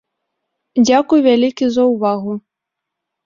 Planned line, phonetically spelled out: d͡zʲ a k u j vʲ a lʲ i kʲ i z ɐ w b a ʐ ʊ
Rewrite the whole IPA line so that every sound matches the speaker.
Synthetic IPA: d͡zʲ a k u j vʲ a lʲ i kʲ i z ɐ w v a ɣ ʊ